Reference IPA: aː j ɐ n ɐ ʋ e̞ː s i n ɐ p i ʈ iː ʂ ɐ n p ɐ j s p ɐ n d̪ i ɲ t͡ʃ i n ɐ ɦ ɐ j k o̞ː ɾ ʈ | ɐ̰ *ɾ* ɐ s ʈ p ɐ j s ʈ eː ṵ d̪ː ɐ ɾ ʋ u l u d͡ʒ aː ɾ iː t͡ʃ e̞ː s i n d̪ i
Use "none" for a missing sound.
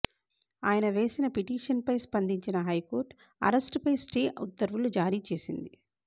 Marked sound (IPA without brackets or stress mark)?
ɾ